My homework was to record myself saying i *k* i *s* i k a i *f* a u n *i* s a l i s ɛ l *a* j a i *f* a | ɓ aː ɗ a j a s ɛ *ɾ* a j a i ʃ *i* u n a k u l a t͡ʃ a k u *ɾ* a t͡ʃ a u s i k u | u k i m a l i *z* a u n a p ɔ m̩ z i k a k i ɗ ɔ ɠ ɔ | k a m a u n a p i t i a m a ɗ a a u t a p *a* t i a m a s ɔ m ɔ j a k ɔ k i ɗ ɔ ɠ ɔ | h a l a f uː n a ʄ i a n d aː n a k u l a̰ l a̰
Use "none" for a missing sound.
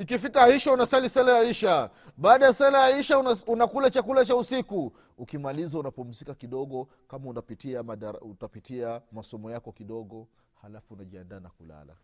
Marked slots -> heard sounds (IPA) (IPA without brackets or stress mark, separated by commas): k, f, ʃ, a, a, ʃ, l, a, l, z, i